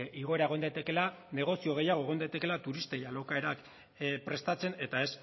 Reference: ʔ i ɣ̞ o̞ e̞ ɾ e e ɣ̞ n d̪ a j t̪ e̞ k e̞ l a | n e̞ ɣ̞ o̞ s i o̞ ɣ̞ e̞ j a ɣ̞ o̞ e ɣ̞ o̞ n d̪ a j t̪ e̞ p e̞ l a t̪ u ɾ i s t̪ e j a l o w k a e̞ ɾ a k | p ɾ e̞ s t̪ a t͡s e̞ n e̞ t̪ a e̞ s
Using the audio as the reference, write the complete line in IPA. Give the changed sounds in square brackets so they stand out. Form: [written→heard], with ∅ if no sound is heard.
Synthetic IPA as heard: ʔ i ɣ̞ o̞ e̞ ɾ [e→a] e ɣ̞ n d̪ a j t̪ e̞ k e̞ l a | n e̞ ɣ̞ o̞ s i o̞ ɣ̞ e̞ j a ɣ̞ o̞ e ɣ̞ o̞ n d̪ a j t̪ e̞ [p→k] e̞ l a t̪ u ɾ i s t̪ e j a l o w k a e̞ ɾ a k | p ɾ e̞ s t̪ a t͡s e̞ n e̞ t̪ a e̞ s